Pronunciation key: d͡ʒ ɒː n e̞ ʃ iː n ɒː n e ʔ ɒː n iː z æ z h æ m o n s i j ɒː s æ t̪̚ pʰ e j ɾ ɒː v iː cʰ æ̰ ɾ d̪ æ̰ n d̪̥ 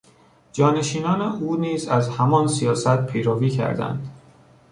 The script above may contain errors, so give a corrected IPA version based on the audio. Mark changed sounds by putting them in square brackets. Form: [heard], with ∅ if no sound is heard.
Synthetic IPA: d͡ʒ ɒː n e̞ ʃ iː n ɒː n e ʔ [uː] n iː z æ z h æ m [ɒ] n s i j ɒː s æ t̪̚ pʰ e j ɾ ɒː v iː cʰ æ̰ ɾ d̪ æ̰ n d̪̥

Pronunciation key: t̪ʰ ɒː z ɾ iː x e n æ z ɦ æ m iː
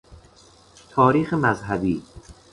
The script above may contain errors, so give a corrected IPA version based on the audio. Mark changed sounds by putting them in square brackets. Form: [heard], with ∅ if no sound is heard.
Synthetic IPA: t̪ʰ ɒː [∅] ɾ iː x e [m] æ z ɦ æ [b] iː

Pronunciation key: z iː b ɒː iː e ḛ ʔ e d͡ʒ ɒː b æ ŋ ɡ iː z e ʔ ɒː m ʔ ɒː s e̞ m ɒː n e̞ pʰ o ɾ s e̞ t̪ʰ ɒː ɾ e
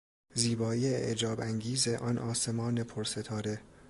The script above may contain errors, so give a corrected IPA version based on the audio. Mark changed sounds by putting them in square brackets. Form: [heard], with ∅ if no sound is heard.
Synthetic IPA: z iː b ɒː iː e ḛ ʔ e d͡ʒ ɒː b æ ŋ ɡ iː z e ʔ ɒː [n] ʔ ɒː s e̞ m ɒː n e̞ pʰ o ɾ s e̞ t̪ʰ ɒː ɾ e

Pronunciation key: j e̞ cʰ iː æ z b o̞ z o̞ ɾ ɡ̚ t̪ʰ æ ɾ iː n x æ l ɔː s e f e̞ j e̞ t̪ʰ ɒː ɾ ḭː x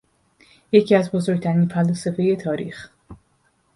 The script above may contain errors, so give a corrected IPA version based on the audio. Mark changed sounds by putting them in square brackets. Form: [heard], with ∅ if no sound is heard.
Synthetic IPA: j e̞ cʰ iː æ z b o̞ z o̞ ɾ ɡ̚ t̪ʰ æ ɾ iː n [f] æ l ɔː s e f e̞ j e̞ t̪ʰ ɒː ɾ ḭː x

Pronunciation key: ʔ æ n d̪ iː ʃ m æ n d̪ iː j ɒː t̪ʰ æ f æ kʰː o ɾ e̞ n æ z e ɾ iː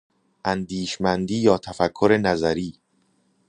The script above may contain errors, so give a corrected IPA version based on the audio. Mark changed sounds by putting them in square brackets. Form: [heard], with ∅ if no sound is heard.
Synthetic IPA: ʔ æ n d̪ iː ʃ m æ n d̪ iː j ɒː t̪ʰ æ f æ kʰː o ɾ e̞ n æ z [æ] ɾ iː

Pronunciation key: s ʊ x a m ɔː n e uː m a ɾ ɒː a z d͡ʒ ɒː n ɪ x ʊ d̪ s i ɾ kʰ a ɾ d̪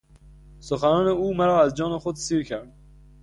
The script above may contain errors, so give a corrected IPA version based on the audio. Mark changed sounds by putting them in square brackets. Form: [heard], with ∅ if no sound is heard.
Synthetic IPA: s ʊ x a [n] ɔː n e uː m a ɾ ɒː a z d͡ʒ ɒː n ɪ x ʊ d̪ s i ɾ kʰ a ɾ d̪

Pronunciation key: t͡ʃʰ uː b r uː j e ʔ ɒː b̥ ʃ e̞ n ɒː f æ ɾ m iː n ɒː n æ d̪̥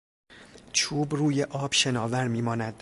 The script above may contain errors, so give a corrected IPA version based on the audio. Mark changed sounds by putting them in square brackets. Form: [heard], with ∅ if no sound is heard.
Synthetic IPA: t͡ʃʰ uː b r uː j e ʔ ɒː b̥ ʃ e̞ n ɒː [v] æ ɾ m iː [m] ɒː n æ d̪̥

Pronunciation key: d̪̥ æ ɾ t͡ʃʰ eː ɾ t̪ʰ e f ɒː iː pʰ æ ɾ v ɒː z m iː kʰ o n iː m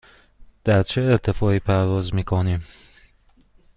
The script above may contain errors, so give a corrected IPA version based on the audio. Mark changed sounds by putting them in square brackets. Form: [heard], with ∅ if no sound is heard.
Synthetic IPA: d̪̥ æ ɾ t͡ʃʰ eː ɾ t̪ʰ e f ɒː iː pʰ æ ɾ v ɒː z m iː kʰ o n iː m

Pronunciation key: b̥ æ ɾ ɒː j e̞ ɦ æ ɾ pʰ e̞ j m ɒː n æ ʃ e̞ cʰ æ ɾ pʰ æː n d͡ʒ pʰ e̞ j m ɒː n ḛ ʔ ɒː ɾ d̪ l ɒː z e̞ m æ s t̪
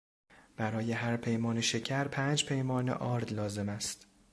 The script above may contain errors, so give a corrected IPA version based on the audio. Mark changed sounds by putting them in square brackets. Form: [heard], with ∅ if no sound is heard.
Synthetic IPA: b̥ æ ɾ ɒː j e̞ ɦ æ ɾ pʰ e̞ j m ɒː n [e] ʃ e̞ cʰ æ ɾ pʰ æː n d͡ʒ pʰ e̞ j m ɒː n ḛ ʔ ɒː ɾ d̪ l ɒː z e̞ m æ s t̪

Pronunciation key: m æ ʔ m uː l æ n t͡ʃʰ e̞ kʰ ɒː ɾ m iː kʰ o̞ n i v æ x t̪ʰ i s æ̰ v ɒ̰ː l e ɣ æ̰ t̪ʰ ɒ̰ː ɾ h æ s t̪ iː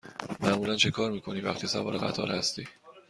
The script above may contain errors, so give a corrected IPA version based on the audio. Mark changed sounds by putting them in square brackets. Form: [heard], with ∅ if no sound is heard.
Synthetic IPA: m æ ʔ m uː l æ n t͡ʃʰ e̞ kʰ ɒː ɾ m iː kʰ o̞ n i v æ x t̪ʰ i s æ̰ v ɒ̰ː [ɾ] e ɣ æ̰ t̪ʰ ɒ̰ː ɾ h æ s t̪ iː

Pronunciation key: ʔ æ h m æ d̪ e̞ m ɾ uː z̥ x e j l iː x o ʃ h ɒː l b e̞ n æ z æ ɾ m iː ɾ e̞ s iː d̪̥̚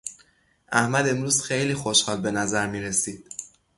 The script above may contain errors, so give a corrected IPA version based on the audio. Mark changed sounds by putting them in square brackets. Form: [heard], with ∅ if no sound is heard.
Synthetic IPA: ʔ æ h m æ d̪ e̞ m ɾ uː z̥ x e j l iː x o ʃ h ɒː l b e̞ n æ z æ ɾ m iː ɾ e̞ s iː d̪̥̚

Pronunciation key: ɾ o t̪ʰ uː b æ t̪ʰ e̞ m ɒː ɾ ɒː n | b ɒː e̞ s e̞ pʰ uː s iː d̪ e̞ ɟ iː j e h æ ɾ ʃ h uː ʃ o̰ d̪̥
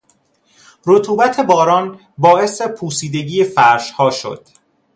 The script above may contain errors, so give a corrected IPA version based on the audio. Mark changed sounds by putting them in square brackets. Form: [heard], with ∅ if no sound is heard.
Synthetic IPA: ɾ o t̪ʰ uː b æ t̪ʰ e̞ [b] ɒː ɾ ɒː n | b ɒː e̞ s e̞ pʰ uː s iː d̪ e̞ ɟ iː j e [f] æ ɾ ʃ h [ɒː] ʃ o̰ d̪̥

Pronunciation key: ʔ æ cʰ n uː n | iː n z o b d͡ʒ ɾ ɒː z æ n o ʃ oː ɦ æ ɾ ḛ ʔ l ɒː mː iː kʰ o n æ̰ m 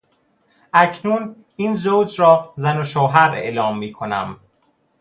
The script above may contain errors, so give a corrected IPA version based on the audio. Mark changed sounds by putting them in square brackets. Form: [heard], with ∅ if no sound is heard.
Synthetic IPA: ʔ æ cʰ n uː n | iː n z o [w] d͡ʒ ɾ ɒː z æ n o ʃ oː ɦ æ ɾ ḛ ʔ l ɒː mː iː kʰ o n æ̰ m

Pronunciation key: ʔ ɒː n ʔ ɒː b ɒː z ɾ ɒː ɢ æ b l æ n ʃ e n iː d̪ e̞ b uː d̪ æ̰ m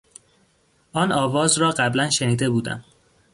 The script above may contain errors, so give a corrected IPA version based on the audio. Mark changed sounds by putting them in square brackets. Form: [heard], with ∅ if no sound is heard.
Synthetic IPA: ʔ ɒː n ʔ ɒː [v] ɒː z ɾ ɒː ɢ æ b l æ n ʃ e n iː d̪ e̞ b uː d̪ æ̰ m

